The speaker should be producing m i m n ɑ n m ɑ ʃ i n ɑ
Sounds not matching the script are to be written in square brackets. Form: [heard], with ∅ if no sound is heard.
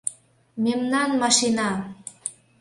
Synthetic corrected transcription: m [e] m n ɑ n m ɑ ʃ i n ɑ